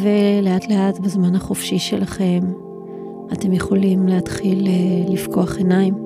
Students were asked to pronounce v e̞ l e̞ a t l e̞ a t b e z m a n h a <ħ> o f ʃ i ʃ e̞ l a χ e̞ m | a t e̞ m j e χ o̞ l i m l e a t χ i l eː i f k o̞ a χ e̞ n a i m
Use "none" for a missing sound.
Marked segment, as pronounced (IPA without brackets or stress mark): χ